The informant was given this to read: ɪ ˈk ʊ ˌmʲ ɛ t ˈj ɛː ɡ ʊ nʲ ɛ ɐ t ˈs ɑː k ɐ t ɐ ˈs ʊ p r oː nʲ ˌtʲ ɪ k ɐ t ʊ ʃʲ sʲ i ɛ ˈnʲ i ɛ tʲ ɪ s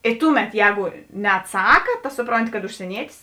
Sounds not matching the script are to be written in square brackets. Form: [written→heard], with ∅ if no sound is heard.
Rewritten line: ɪ [ˈk→ˈt] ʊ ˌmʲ ɛ t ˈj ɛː ɡ ʊ nʲ ɛ ɐ t ˈs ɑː k ɐ t ɐ ˈs ʊ p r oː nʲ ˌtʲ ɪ k ɐ t ʊ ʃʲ sʲ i ɛ ˈnʲ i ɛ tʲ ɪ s

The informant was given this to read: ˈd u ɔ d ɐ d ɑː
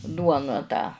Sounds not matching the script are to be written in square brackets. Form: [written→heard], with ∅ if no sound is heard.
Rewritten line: ˈd u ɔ [d→n] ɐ [d→t] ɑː

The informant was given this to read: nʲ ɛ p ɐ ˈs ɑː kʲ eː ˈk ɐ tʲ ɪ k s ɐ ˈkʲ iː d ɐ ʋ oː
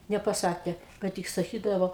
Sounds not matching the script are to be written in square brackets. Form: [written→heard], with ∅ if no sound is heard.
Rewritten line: nʲ ɛ p ɐ ˈs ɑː kʲ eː ˈk ɐ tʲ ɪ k s ɐ ˈkʲ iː d ɐ ʋ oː

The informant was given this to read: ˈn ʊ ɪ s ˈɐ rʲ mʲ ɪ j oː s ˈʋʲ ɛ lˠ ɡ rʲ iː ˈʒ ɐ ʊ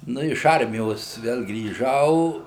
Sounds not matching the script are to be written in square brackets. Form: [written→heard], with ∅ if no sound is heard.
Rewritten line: ˈn ʊ ɪ [s→ʃ] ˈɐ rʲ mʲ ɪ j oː s ˈʋʲ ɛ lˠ ɡ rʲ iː ˈʒ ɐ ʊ

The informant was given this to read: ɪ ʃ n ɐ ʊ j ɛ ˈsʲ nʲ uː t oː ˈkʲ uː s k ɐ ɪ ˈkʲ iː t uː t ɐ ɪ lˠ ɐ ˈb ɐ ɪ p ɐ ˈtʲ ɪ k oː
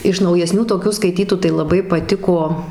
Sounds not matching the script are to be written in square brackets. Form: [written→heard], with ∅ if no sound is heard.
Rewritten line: ɪ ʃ n ɐ ʊ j ɛ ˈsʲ nʲ uː t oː ˈkʲ uː s k ɐ ɪ [ˈkʲ→ˈtʲ] iː t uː t ɐ ɪ lˠ ɐ ˈb ɐ ɪ p ɐ ˈtʲ ɪ k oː

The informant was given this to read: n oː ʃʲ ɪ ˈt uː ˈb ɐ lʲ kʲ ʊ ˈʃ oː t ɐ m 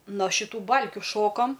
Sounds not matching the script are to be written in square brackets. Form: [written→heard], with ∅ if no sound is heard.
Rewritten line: n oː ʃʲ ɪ ˈt uː ˈb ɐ lʲ kʲ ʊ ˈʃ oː [t→k] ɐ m

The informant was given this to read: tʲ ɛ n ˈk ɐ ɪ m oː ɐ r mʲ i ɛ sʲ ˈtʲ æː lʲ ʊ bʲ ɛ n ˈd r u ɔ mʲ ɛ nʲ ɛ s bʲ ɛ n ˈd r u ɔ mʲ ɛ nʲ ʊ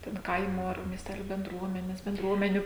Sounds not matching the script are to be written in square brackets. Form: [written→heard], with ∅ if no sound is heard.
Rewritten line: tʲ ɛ n ˈk ɐ ɪ m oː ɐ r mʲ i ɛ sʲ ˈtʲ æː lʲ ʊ bʲ ɛ n ˈd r u ɔ mʲ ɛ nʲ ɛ s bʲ ɛ n ˈd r u ɔ mʲ ɛ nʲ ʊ

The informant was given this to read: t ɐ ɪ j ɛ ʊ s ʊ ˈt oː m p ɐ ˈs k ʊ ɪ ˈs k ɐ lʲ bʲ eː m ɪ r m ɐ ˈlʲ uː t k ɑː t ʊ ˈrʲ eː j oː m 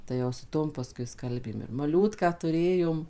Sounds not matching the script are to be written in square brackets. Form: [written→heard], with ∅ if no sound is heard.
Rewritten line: t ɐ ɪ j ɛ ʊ s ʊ ˈt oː m p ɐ ˈs k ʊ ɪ ˈs k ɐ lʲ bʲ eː m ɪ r m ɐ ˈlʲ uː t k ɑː t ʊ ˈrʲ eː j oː m

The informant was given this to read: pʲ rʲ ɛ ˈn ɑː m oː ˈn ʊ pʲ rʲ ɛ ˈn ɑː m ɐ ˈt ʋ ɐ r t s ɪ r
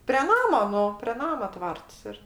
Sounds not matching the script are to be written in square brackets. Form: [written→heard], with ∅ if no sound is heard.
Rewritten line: pʲ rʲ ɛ ˈn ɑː m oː ˈn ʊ pʲ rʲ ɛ ˈn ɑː m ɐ ˈt ʋ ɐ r t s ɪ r

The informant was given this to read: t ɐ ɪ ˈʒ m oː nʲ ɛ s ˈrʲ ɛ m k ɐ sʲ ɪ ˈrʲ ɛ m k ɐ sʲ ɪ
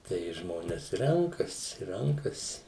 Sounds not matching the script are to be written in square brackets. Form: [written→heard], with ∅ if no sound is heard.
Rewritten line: t ɐ ɪ ˈʒ m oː nʲ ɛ s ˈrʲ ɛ [m→ŋ] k ɐ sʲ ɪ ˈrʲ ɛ [m→ŋ] k ɐ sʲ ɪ

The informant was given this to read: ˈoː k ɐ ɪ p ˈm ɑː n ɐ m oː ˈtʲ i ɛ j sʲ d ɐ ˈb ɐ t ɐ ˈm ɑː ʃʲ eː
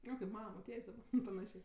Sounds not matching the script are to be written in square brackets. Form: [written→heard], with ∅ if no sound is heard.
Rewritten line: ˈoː k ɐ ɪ p ˈm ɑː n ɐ m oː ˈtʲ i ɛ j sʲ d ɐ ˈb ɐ [t→p] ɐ [ˈm→ˈn] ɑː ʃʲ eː

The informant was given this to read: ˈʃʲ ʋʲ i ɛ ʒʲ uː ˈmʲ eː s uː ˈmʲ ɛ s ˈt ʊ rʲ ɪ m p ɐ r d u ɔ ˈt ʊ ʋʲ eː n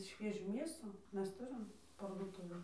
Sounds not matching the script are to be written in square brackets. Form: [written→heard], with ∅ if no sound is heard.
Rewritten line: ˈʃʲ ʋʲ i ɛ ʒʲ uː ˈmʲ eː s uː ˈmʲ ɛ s ˈt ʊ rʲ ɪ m p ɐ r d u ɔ ˈt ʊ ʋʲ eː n

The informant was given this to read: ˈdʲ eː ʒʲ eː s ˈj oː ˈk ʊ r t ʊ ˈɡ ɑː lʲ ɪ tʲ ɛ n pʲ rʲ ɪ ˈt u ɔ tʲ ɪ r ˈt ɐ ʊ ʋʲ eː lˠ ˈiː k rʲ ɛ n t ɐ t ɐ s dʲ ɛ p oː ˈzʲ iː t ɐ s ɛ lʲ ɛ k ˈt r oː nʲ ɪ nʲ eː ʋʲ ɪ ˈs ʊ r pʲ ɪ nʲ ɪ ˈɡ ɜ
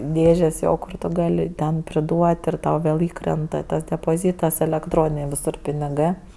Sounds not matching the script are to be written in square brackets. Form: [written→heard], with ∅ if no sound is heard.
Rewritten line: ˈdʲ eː ʒʲ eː s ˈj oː ˈk ʊ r t ʊ ˈɡ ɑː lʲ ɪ tʲ ɛ n pʲ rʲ ɪ [ˈt→ˈd] u ɔ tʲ ɪ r ˈt ɐ ʊ ʋʲ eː lˠ ˈiː k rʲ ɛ n t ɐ t ɐ s dʲ ɛ p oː ˈzʲ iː t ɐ s ɛ lʲ ɛ k ˈt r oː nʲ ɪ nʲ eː ʋʲ ɪ ˈs ʊ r pʲ ɪ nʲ ɪ ˈɡ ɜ

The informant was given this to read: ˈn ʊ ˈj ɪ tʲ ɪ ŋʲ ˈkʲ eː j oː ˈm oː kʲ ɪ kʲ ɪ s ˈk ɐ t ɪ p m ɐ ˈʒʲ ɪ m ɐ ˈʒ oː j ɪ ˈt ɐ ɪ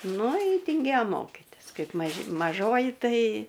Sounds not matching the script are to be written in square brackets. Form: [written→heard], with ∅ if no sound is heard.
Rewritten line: ˈn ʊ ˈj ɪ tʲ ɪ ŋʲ [ˈkʲ→ˈɡʲ] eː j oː ˈm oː kʲ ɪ [kʲ→tʲ] ɪ s ˈk ɐ [t→∅] ɪ p m ɐ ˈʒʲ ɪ m ɐ ˈʒ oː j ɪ ˈt ɐ ɪ

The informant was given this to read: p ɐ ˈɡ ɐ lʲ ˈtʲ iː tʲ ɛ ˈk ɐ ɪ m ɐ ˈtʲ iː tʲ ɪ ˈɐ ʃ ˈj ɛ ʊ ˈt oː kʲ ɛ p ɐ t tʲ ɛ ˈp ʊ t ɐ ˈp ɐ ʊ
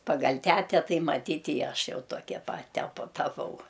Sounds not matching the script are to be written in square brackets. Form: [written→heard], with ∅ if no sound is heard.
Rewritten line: p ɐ ˈɡ ɐ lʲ ˈtʲ [iː→æː] tʲ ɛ [ˈk→ˈt] ɐ ɪ m ɐ ˈtʲ iː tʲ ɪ ˈɐ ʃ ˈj ɛ ʊ ˈt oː kʲ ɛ p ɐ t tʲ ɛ ˈp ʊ t ɐ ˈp ɐ ʊ

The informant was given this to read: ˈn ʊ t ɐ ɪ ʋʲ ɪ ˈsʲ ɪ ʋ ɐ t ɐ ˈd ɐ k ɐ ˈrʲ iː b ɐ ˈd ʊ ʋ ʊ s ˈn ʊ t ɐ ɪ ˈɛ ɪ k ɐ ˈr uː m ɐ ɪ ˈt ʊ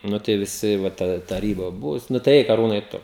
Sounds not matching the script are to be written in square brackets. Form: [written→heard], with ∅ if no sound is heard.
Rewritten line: ˈn ʊ t ɐ ɪ ʋʲ ɪ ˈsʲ ɪ ʋ ɐ t ɐ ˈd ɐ [k→t] ɐ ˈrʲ iː b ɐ [ˈd→ˈb] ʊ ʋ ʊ s ˈn ʊ t ɐ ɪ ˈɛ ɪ k ɐ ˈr uː [m→n] ɐ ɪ ˈt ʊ

